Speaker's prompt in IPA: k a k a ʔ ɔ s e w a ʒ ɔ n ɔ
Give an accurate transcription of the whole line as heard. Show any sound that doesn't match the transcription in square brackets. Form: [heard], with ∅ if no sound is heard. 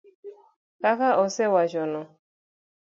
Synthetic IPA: k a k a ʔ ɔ s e w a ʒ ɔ n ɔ